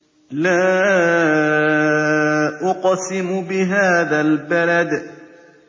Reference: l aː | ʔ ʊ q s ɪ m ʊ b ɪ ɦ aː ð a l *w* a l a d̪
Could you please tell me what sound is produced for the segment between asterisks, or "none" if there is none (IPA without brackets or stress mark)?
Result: b